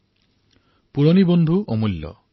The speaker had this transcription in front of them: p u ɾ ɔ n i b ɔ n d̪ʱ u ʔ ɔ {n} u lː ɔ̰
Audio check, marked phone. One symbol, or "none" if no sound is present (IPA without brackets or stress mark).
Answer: m